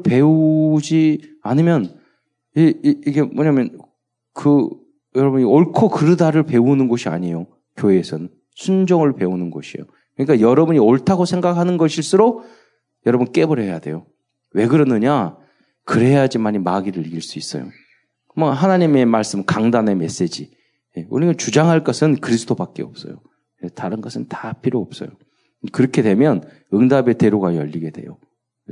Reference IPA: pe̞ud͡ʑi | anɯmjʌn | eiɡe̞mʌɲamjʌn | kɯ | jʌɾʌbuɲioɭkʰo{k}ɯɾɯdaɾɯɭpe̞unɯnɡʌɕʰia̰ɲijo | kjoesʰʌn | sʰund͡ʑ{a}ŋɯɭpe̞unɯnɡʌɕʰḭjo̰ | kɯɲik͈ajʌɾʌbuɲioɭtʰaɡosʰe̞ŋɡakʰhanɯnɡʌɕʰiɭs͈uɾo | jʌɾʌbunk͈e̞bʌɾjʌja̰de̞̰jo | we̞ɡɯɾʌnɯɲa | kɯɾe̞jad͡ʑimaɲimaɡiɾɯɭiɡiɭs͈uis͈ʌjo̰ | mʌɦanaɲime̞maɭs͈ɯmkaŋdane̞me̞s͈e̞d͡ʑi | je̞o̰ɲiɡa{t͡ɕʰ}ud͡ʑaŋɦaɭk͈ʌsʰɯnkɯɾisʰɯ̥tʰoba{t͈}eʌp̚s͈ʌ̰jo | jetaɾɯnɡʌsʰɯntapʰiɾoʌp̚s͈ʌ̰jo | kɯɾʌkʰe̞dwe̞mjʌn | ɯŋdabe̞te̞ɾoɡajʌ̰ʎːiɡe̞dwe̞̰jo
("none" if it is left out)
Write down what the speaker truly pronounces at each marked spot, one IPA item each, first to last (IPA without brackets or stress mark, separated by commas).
k, ʌ, t͡ɕ, k͈